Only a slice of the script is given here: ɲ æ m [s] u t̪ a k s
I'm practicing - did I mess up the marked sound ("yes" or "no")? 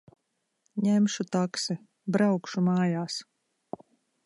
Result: yes